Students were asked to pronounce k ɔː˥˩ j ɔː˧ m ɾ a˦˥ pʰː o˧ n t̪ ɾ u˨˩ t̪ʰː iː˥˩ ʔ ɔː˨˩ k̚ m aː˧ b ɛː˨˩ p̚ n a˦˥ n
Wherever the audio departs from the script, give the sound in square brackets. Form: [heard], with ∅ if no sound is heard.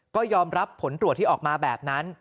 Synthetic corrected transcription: k ɔː˥˩ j ɔː˧ m ɾ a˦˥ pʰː [o˩˦] n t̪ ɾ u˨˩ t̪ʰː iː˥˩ ʔ ɔː˨˩ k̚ m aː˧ b ɛː˨˩ p̚ n a˦˥ n